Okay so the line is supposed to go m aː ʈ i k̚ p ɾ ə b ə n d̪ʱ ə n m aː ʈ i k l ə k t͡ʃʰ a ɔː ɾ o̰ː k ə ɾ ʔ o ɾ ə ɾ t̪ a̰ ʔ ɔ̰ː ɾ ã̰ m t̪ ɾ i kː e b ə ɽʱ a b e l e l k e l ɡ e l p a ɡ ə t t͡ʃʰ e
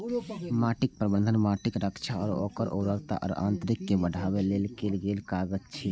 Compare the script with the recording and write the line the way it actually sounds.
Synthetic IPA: m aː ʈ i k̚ p ɾ ə b ə n d̪ʱ ə n m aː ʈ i k ɾ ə k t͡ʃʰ a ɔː ɾ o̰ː k ə ɾ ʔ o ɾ ə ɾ t̪ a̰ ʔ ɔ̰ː ɾ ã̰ n t̪ ɾ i kː e b ə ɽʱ a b e l e l k e l ɡ e l k a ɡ ə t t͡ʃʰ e

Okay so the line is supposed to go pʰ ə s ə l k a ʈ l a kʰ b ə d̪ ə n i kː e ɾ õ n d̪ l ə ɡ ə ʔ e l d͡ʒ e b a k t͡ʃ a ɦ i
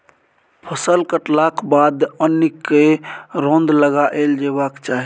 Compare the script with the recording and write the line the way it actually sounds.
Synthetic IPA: pʰ ə s ə l k ə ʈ l a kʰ b a d̪ ə n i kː e ɾ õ n d̪ l ə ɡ a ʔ e l d͡ʒ e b a k t͡ʃ a ɦ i

